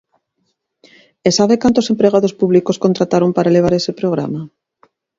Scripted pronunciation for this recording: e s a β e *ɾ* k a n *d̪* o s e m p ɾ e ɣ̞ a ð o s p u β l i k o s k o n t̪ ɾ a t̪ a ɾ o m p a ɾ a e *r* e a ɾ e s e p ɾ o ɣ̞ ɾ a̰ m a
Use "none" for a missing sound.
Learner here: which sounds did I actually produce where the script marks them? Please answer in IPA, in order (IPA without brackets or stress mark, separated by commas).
none, t̪, l